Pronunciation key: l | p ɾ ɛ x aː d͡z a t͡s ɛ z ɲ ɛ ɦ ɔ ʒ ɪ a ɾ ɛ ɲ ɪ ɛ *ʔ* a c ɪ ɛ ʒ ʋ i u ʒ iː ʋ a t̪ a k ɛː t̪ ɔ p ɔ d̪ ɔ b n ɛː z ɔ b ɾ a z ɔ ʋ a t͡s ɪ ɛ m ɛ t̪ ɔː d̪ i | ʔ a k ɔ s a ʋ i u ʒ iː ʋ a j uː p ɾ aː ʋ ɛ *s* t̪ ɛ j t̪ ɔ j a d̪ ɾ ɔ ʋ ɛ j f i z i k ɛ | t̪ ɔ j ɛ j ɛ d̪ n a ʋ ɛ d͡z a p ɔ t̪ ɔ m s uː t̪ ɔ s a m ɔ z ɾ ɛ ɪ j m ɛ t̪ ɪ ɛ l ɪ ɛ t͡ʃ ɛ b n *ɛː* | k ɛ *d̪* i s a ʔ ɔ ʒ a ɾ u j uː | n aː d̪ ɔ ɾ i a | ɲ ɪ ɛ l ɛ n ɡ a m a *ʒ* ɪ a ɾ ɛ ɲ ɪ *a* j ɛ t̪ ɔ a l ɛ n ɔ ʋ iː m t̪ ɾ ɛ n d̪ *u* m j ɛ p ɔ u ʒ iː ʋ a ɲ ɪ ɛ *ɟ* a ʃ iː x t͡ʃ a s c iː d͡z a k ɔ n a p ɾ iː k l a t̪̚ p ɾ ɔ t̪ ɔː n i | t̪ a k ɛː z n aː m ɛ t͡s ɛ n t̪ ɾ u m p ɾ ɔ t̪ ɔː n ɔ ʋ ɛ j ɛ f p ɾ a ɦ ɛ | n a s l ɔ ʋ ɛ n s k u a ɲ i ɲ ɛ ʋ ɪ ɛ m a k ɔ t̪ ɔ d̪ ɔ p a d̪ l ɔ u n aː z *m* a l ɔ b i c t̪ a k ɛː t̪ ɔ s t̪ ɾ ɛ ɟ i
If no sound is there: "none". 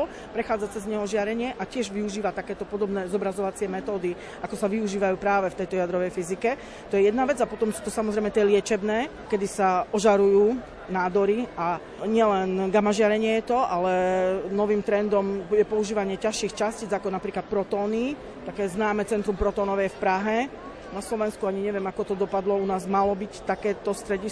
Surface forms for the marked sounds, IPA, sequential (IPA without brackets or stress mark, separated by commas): ʔ, f, ɛː, d̪, ʒ, ɛ, ɔ, c, m